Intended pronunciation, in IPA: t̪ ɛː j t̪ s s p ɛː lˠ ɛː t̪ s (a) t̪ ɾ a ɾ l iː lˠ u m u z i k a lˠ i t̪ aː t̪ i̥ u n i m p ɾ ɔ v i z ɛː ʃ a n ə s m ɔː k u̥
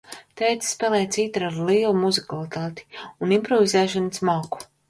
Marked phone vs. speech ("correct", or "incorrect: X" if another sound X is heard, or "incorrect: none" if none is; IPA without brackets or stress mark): incorrect: i